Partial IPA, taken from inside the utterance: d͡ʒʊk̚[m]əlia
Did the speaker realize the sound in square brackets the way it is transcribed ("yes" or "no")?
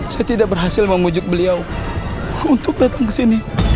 no